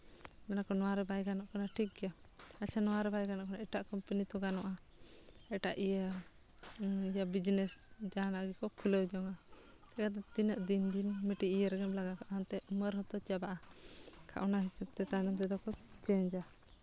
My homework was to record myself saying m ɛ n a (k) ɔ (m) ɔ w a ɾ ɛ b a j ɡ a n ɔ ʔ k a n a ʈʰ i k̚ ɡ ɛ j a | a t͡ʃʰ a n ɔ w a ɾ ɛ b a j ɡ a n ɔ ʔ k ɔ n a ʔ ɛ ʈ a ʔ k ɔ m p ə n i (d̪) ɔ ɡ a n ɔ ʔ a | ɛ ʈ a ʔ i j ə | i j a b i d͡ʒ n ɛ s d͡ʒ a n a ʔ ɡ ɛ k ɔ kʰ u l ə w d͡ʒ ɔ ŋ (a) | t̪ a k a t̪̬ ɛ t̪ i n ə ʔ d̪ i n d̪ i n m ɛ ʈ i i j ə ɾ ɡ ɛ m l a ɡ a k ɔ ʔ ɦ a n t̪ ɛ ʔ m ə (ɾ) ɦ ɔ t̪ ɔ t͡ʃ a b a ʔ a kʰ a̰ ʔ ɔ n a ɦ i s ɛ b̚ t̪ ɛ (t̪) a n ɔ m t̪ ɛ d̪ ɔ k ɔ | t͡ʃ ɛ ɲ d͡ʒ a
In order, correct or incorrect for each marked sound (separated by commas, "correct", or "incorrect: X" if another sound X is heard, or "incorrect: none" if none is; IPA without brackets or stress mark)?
correct, incorrect: n, incorrect: t̪, correct, correct, correct